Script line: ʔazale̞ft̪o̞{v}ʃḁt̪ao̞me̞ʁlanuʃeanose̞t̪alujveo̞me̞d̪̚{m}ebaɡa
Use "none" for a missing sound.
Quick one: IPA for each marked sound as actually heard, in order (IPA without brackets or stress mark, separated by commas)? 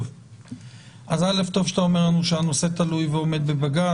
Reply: v, b